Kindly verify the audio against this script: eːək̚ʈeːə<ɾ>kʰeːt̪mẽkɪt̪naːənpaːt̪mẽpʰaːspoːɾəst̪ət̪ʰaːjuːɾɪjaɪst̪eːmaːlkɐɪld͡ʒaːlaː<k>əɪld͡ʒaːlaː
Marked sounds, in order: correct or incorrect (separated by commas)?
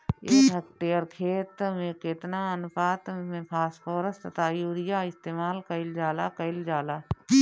correct, correct